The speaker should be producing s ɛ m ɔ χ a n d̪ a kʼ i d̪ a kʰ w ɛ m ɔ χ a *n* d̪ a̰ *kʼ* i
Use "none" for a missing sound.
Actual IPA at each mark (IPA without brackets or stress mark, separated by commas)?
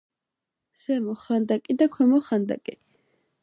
n, kʼ